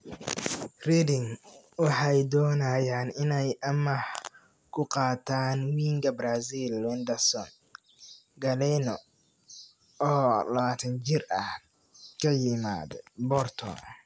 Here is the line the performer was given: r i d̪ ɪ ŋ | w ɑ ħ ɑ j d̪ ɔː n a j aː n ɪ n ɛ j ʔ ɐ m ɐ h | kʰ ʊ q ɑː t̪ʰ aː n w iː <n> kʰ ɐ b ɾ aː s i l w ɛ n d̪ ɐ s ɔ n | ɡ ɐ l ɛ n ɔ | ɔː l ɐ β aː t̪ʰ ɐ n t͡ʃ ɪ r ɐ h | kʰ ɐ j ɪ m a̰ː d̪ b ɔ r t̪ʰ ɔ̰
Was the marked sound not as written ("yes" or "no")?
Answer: yes